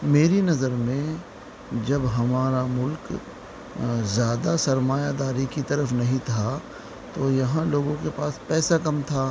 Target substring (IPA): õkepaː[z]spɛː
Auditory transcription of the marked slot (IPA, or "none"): none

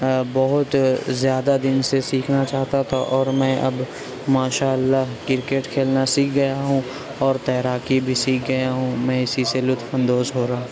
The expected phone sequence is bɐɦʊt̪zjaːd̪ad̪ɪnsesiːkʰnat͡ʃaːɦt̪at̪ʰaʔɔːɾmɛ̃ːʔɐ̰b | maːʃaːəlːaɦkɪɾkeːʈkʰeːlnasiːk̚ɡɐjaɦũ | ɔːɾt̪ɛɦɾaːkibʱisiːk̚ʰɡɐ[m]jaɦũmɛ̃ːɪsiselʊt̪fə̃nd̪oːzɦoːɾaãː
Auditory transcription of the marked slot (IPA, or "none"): none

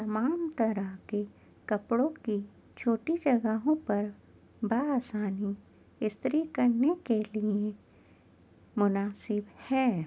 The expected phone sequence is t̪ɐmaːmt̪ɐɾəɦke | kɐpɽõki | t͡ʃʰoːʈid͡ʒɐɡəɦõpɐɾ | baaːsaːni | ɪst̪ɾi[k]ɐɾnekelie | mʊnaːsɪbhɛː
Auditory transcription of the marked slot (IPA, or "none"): k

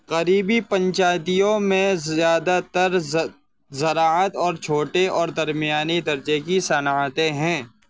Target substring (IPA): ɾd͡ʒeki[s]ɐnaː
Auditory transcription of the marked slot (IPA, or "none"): s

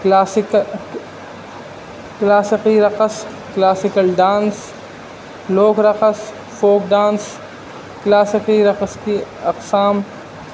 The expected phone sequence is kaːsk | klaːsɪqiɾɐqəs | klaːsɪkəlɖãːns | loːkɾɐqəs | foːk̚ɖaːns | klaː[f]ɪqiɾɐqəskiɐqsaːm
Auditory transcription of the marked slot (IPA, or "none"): s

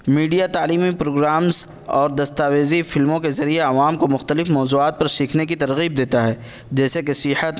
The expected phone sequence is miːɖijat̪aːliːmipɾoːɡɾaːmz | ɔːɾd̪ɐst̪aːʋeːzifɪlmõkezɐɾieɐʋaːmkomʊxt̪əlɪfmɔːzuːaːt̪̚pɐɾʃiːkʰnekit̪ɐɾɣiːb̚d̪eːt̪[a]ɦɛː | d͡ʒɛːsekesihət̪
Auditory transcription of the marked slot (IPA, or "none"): a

